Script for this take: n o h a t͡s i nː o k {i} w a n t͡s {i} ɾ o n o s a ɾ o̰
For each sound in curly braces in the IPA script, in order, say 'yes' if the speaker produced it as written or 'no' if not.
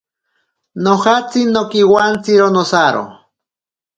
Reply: yes, yes

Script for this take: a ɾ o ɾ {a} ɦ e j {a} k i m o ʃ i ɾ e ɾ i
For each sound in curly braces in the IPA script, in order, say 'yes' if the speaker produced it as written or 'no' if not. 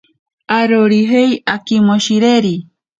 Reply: no, yes

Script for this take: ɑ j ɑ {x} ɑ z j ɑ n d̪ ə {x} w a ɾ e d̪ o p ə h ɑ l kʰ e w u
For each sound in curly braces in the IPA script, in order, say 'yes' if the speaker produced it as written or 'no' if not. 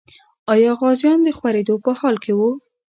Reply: no, yes

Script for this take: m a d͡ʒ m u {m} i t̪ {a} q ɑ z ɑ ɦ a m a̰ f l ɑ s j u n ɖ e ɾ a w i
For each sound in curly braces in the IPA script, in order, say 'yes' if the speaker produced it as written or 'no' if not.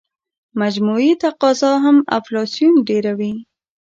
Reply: no, yes

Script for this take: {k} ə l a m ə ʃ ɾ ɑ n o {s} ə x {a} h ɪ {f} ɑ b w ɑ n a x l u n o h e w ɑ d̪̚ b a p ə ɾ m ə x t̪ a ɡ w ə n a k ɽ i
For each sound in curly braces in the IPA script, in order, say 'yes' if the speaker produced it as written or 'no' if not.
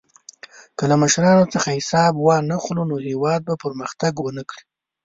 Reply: yes, no, yes, no

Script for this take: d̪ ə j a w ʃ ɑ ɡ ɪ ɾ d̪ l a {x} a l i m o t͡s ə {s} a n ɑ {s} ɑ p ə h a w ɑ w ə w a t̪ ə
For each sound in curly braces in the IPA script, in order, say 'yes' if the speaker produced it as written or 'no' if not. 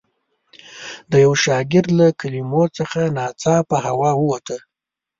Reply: no, no, no

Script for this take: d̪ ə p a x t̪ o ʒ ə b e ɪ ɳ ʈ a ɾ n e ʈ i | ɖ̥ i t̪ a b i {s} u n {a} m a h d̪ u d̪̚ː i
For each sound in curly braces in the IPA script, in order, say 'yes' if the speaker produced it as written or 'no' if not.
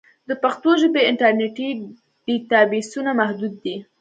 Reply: yes, yes

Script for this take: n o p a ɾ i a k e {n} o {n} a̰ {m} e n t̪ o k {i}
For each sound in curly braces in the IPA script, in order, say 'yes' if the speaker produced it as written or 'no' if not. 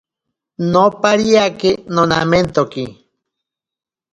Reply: yes, yes, yes, yes

